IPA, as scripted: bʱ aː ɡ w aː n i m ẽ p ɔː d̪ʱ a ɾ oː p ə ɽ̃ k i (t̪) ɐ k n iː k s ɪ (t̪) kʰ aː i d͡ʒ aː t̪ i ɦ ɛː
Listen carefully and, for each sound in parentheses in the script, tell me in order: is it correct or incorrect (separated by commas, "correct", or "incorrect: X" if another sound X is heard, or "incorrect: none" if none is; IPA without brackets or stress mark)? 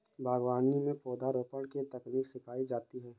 correct, incorrect: none